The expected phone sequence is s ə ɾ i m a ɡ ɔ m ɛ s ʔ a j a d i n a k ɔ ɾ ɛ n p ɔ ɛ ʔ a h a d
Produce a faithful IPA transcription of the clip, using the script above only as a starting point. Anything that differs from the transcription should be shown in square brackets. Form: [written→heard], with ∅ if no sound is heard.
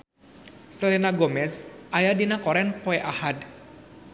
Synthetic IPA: s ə [ɾ→l] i [m→n] a ɡ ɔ m ɛ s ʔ a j a d i n a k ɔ ɾ ɛ n p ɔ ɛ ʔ a h a d